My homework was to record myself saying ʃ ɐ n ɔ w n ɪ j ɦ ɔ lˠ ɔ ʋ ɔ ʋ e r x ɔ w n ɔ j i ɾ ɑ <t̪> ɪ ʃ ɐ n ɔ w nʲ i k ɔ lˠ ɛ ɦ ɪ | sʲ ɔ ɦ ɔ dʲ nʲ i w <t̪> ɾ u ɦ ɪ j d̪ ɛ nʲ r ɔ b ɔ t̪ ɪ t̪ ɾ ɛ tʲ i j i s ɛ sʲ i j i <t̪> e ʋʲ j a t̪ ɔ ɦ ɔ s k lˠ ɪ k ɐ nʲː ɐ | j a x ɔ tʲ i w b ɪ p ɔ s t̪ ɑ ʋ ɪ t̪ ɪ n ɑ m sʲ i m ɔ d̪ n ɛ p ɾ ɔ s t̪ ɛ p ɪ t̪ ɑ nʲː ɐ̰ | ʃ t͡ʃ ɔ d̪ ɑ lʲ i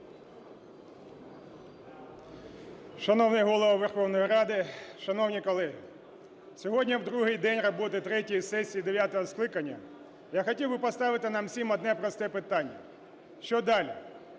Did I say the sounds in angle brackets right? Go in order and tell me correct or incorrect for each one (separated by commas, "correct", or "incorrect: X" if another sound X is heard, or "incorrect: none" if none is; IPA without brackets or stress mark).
incorrect: d̪, incorrect: d̪, incorrect: d̪